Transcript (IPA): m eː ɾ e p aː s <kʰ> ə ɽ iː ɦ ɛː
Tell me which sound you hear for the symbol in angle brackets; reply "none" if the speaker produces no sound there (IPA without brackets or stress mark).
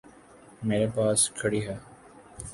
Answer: kʰ